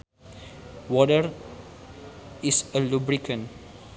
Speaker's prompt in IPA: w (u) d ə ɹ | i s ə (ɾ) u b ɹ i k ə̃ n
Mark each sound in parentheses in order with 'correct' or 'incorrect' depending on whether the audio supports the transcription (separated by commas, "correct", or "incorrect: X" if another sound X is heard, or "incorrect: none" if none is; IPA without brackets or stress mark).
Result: incorrect: ɔ, incorrect: l